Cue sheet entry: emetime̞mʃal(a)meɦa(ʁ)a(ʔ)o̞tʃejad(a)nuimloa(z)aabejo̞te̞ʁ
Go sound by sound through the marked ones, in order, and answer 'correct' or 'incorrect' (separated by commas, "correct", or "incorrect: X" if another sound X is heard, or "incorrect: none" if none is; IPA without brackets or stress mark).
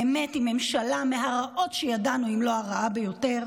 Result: correct, correct, correct, correct, incorrect: ʁ